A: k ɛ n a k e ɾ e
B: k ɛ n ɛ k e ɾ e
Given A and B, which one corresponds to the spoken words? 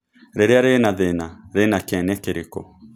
B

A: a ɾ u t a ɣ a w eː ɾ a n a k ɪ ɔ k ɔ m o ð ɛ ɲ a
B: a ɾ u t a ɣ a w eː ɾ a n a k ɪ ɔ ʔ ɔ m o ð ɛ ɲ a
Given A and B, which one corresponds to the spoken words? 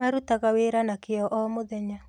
B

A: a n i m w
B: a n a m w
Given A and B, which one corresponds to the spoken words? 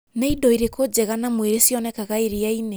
B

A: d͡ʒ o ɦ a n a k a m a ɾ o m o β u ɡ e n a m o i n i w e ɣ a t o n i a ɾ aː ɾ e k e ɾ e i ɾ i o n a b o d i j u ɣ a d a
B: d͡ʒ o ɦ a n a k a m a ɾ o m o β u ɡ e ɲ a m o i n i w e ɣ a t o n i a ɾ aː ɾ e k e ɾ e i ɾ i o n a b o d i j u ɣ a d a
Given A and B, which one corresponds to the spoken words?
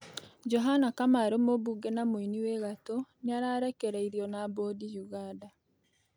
A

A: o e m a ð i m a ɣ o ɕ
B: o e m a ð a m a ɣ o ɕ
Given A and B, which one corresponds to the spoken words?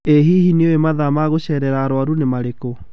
B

